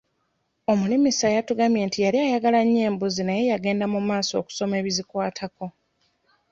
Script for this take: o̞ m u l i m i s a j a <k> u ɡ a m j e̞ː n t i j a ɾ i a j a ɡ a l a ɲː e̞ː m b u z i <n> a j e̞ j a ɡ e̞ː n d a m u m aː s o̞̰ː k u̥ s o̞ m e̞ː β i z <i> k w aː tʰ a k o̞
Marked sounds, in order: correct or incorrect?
incorrect, correct, correct

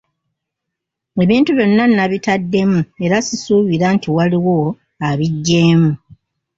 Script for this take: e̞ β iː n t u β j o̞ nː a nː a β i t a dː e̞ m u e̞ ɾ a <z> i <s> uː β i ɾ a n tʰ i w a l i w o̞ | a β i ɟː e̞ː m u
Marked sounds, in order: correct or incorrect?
incorrect, correct

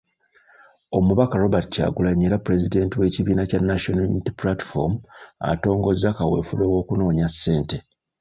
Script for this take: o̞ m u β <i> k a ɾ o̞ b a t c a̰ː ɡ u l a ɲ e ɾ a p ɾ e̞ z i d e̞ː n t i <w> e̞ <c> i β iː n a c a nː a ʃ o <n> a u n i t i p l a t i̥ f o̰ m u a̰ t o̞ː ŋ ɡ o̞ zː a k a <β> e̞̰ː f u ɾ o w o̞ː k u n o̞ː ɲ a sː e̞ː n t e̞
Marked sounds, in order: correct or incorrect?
incorrect, correct, correct, correct, incorrect

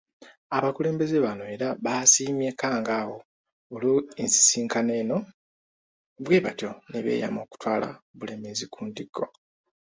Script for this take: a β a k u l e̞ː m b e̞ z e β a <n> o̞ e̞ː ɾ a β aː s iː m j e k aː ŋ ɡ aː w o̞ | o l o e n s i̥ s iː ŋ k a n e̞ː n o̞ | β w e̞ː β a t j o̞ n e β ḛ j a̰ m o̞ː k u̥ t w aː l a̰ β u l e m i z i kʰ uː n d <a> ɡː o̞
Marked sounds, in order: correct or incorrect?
correct, incorrect

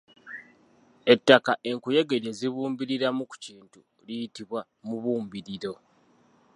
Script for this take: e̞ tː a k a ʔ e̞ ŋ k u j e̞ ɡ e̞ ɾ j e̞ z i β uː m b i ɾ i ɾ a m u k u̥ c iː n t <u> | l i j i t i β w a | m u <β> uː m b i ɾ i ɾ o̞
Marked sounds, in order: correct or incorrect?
correct, correct

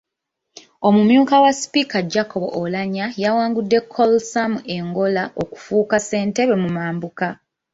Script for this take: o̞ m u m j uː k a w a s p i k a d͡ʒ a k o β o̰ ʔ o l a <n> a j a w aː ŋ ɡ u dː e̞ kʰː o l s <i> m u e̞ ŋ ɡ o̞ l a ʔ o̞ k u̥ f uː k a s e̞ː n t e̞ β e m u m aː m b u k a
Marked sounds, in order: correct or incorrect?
incorrect, incorrect

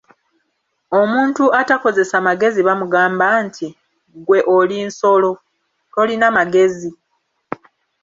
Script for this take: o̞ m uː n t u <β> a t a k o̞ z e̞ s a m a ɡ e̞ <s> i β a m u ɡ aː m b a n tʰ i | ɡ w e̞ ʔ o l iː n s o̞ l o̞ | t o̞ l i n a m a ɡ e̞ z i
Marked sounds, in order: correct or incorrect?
incorrect, incorrect

